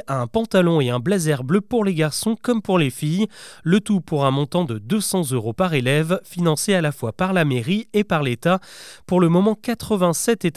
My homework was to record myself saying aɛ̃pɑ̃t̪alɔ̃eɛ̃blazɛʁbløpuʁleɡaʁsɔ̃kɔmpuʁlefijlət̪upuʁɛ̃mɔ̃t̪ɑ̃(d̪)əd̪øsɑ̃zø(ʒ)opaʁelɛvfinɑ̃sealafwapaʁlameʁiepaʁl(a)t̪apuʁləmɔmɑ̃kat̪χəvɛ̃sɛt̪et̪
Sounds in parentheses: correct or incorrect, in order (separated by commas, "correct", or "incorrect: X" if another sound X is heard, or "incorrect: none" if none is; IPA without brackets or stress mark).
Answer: correct, incorrect: ʁ, incorrect: e